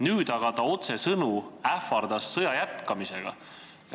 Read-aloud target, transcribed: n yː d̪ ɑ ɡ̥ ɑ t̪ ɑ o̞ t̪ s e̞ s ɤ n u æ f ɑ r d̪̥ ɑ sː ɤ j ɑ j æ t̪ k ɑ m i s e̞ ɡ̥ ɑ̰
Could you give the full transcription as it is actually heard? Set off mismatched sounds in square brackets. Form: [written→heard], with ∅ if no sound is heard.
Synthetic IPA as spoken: n yː d̪ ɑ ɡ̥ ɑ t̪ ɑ o̞ t̪ s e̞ s ɤ n u æ f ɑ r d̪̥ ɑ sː ɤ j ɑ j æ t̪ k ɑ m i s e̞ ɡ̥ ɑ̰